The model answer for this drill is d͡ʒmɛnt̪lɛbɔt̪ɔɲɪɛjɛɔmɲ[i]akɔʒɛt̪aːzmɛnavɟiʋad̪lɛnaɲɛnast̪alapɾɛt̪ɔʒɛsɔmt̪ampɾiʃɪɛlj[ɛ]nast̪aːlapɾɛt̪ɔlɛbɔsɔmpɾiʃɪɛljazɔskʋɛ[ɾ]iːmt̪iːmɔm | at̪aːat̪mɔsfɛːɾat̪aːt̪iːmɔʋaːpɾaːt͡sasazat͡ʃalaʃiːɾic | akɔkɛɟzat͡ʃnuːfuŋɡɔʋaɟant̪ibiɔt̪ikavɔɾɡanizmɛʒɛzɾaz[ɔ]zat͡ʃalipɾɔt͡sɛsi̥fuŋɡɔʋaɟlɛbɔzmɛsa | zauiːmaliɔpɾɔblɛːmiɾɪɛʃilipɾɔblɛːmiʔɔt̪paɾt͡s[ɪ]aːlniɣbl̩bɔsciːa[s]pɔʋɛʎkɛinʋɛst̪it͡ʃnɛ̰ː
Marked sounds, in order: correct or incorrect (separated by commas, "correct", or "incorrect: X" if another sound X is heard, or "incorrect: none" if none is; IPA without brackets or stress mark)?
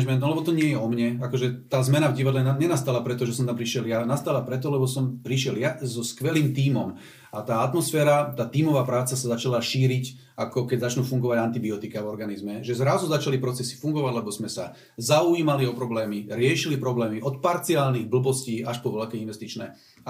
incorrect: ɛ, incorrect: a, incorrect: l, incorrect: u, incorrect: i, incorrect: ʃ